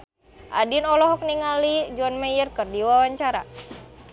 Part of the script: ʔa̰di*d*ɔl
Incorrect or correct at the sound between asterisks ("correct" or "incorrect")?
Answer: incorrect